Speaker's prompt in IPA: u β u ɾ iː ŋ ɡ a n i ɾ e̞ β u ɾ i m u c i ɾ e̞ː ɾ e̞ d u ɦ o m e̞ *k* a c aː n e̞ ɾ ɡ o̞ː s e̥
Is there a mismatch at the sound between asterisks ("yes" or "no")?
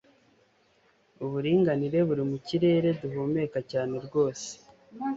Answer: no